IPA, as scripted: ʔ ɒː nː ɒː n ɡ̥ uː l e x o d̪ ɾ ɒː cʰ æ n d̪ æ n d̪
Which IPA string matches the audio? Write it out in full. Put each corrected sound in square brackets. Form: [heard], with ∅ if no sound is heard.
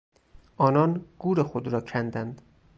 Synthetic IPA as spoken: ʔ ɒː [n] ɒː n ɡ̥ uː [ɾ] e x o d̪ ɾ ɒː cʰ æ n d̪ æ n d̪